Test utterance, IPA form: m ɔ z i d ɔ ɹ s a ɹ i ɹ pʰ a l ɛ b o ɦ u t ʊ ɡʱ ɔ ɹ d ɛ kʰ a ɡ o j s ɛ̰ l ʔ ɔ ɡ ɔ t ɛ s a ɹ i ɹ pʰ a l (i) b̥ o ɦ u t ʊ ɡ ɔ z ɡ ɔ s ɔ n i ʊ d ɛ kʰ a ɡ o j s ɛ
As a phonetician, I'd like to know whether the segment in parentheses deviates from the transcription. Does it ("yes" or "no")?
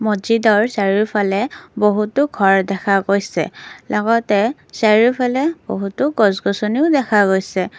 yes